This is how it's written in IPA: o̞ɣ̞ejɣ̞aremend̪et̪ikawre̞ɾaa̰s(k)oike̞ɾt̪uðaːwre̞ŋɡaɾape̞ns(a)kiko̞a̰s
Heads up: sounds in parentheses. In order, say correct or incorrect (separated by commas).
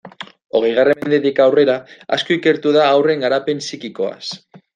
correct, incorrect